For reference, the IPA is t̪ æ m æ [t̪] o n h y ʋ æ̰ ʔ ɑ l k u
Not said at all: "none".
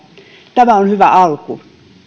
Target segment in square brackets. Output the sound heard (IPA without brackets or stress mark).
none